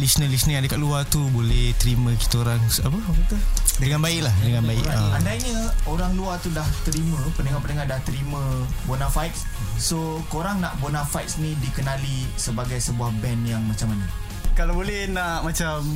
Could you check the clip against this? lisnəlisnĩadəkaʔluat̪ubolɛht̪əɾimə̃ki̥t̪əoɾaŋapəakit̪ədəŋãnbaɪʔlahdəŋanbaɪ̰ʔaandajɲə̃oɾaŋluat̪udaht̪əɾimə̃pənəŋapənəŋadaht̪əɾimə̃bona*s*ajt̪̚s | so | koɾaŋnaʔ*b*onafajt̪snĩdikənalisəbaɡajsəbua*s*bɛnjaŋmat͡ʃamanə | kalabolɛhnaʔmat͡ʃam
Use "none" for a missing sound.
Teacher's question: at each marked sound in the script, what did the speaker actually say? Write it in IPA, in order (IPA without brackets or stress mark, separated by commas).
f, b, h